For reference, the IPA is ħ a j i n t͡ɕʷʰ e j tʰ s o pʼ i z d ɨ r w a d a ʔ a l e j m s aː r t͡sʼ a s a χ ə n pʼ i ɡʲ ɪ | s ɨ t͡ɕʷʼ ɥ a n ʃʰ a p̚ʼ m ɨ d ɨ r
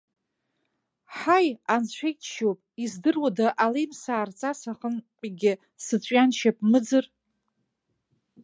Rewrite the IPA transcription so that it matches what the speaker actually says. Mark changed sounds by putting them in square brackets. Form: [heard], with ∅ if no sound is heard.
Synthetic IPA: ħ a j [a] n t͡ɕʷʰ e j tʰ [ʃ] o pʼ i z d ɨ r w a d a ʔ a l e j m s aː r t͡sʼ a s a χ ə n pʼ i ɡʲ ɪ | s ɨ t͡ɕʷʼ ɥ a n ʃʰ a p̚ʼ m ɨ [d͡z] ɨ r